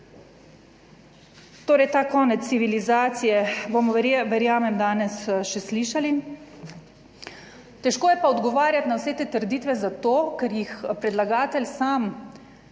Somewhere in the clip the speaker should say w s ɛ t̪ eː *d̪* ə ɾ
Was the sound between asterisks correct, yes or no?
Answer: no